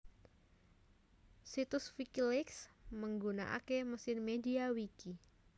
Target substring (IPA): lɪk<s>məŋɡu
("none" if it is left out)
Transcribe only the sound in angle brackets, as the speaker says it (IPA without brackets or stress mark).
s